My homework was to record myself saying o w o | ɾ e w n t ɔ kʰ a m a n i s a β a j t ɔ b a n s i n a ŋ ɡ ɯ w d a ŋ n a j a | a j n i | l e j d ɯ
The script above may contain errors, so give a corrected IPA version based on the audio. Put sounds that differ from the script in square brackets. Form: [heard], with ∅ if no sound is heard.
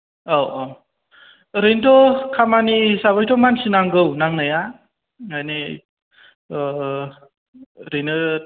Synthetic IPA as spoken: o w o | ɾ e [∅] n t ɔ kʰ a m a n i s a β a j t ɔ [m] a n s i n a ŋ ɡ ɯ w [n] a ŋ n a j a | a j n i | [ɾ] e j [n] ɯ